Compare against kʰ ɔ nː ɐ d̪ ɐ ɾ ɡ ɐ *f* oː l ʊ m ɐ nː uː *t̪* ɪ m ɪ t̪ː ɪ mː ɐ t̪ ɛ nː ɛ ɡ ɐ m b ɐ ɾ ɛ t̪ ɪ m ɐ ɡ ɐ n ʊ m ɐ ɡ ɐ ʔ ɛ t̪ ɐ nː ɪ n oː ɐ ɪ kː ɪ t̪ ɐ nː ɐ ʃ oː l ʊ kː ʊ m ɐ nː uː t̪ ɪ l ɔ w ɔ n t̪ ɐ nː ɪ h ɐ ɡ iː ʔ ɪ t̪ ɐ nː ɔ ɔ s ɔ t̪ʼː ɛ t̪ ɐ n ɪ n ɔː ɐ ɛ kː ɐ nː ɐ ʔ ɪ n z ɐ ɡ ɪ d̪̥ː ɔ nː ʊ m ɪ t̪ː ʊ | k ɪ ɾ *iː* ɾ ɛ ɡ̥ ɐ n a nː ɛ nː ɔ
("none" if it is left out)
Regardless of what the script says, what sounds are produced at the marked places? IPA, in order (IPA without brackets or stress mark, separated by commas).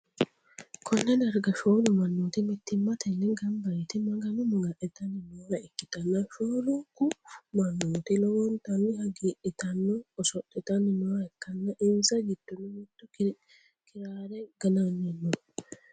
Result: ʃ, t̪, aː